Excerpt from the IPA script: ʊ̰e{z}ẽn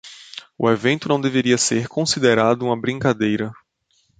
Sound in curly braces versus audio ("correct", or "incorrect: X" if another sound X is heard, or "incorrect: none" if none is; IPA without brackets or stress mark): incorrect: v